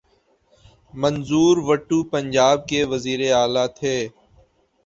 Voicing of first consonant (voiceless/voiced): voiced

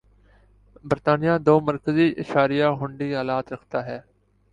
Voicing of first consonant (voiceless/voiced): voiced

